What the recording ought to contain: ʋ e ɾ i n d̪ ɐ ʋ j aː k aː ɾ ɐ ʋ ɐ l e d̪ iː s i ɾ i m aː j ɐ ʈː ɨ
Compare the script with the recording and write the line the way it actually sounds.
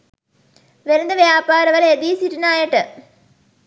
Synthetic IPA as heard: ʋ e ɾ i n d̪ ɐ ʋ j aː p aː ɾ ɐ ʋ ɐ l e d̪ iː s i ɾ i n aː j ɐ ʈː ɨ